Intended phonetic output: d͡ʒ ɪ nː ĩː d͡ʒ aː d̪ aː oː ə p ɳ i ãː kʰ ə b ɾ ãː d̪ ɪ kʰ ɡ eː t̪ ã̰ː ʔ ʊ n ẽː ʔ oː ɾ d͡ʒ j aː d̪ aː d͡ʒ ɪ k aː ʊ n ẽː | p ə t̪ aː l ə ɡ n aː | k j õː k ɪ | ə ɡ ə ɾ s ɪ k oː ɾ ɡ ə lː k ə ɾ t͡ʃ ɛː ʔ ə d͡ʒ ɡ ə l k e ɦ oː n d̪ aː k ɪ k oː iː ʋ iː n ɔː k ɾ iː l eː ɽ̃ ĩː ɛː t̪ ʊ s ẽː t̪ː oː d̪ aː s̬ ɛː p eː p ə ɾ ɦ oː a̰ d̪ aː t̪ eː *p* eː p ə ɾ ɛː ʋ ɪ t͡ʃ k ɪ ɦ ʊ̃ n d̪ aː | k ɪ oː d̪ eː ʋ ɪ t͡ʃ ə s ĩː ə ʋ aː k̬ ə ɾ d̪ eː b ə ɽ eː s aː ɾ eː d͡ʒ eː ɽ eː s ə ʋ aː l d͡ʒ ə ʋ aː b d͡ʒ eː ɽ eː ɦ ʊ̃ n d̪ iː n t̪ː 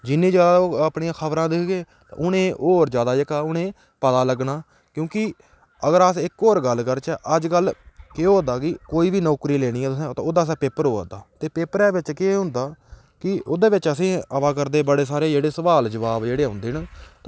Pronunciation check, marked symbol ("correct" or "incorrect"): correct